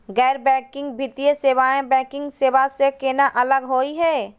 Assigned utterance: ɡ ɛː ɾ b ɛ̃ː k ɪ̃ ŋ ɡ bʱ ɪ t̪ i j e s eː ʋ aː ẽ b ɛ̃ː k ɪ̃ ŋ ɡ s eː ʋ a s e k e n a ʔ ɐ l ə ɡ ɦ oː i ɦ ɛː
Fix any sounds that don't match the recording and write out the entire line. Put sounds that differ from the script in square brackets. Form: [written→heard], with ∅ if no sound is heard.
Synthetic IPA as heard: ɡ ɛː ɾ b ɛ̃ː k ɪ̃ ŋ ɡ bʱ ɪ t̪ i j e s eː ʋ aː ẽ b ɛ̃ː k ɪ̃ ŋ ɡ s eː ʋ a s e k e n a ʔ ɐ l ə ɡ ɦ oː i ɦ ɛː